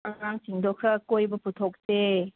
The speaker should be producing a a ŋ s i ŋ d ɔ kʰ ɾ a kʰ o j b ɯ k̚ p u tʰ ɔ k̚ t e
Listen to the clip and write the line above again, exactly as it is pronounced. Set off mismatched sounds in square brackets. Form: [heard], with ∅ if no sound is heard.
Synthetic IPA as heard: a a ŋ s i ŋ d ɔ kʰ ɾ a [k] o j b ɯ [∅] p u tʰ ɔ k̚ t e